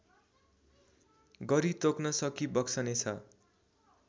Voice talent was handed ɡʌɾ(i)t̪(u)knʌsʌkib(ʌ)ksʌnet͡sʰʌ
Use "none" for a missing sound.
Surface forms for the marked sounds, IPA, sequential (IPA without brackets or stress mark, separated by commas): i, o, ʌ